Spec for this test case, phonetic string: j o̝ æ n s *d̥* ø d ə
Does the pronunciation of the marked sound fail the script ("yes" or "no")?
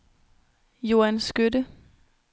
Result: yes